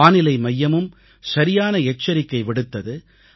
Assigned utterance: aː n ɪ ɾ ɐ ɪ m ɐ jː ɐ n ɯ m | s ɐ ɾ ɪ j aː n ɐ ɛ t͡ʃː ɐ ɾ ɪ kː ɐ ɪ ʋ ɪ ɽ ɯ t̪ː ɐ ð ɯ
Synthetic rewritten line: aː n ɪ l ɐ ɪ m ɐ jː ɐ m ɯ m | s ɐ ɾ ɪ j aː n ɐ ɛ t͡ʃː ɐ ɾ ɪ kː ɐ ɪ ʋ ɪ ɽ ɯ t̪ː ɐ ð ɯ